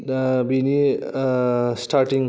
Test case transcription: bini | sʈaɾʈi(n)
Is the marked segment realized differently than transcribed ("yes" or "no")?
yes